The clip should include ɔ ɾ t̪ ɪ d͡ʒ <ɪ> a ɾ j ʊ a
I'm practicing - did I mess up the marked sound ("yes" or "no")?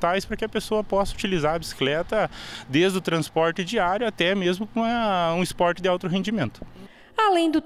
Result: yes